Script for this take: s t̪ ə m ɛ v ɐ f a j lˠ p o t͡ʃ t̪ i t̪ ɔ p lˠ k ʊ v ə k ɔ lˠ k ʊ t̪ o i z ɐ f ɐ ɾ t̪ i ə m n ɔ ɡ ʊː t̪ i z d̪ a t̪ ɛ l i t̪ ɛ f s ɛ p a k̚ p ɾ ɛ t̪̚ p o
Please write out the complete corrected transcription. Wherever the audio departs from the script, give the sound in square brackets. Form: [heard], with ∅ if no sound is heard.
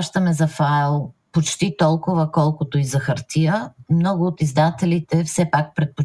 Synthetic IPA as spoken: [ʃ] t̪ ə m ɛ [z] ɐ f a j lˠ p o t͡ʃ t̪ i t̪ ɔ [∅] lˠ k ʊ v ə k ɔ lˠ k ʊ t̪ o i z ɐ [x] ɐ ɾ t̪ i ə m n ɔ ɡ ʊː t̪ i z d̪ a t̪ ɛ l i t̪ ɛ f s ɛ p a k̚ p ɾ ɛ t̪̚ p o